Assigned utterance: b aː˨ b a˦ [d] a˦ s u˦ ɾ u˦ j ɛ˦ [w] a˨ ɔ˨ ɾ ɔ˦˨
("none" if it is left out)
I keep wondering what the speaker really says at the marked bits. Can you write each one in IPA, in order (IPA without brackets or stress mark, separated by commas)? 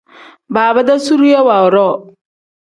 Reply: d, w